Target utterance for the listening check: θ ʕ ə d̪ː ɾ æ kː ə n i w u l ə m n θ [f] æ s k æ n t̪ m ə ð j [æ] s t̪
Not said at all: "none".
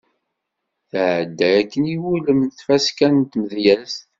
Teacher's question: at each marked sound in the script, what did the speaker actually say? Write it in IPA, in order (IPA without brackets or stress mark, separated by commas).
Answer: f, æ